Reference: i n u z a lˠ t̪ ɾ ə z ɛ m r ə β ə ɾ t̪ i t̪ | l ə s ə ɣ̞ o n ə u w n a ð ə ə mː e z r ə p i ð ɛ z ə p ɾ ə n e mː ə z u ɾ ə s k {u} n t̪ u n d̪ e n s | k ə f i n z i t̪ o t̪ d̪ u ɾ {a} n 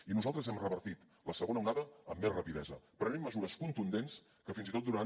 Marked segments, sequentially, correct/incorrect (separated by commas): correct, correct